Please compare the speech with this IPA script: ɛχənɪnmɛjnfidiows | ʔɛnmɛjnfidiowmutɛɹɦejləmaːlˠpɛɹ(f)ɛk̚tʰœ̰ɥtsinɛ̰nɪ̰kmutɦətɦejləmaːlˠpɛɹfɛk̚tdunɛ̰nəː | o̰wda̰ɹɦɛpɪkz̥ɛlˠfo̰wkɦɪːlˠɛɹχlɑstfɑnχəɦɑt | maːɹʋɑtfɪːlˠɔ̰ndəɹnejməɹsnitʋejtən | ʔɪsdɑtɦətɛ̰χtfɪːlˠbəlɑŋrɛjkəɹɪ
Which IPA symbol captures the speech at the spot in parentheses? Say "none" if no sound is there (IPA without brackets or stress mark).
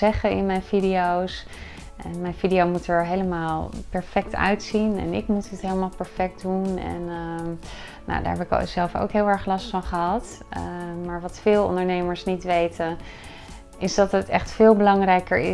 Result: f